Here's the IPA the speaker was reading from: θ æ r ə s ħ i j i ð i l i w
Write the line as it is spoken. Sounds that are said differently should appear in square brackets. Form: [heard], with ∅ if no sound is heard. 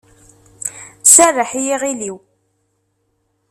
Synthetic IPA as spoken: [s] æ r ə [∅] ħ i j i [ʁ] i l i w